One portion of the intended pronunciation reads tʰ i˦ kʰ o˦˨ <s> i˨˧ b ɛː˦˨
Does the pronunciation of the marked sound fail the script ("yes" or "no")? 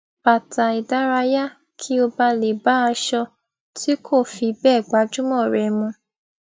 yes